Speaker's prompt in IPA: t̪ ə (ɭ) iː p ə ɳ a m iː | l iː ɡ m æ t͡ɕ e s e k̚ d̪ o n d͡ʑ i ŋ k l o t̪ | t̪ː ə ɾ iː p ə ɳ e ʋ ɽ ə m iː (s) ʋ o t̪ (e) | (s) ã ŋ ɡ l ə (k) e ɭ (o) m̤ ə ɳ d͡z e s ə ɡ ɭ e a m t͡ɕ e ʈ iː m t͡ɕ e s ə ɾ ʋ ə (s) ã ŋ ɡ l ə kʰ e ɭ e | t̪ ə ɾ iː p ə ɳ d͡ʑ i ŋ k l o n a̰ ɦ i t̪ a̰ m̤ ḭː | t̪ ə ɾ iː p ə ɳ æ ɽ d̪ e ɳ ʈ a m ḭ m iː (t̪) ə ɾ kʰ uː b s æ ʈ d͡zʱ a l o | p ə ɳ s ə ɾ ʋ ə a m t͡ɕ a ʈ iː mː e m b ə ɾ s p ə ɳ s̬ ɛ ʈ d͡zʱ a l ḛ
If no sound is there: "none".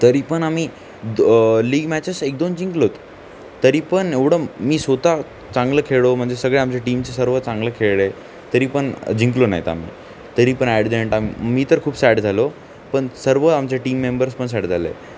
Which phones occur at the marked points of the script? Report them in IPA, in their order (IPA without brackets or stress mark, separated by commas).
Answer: ɾ, s, a, t͡s, kʰ, o, t͡s, t̪